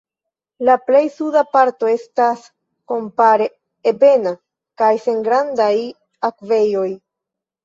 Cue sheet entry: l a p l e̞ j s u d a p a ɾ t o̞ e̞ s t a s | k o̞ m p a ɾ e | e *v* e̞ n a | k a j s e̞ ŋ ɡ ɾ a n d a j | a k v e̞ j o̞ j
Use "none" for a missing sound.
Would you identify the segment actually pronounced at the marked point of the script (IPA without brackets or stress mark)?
b